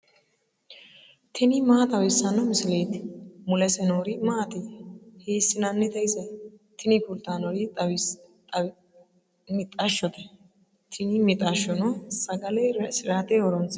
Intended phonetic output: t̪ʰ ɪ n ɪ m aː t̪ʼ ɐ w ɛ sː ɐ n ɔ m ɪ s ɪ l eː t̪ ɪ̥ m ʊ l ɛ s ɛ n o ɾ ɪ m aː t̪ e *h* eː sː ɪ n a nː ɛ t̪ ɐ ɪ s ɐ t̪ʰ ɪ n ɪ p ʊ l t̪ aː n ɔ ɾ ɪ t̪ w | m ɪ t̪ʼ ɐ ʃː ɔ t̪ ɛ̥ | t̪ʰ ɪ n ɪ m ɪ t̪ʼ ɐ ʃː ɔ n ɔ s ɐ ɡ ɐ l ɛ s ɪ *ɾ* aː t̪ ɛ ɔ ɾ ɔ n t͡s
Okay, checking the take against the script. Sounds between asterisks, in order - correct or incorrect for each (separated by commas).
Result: correct, correct